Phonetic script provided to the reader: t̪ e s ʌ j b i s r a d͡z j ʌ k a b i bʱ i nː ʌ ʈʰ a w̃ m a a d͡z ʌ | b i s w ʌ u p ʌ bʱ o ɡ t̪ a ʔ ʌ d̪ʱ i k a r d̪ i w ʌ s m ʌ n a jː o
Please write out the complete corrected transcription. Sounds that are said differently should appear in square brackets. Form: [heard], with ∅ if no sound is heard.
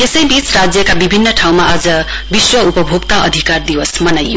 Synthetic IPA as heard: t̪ e s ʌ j b i [t͡s] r a d͡z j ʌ k a b i bʱ i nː ʌ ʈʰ a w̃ m a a d͡z ʌ | b i s w ʌ u p ʌ bʱ o ɡ t̪ a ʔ ʌ d̪ʱ i k a r d̪ i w ʌ s m ʌ n a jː o